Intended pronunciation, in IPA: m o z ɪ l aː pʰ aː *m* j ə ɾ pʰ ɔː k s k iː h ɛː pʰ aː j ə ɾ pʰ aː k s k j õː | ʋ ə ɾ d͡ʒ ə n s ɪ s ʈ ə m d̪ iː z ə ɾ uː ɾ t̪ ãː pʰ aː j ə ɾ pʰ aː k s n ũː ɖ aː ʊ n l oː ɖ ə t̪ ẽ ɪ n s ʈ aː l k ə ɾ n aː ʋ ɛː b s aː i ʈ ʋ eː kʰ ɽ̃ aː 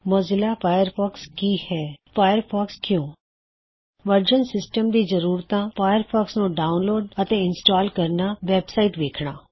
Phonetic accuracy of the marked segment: incorrect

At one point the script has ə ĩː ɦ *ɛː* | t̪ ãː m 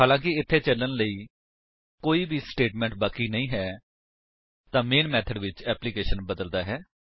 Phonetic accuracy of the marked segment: correct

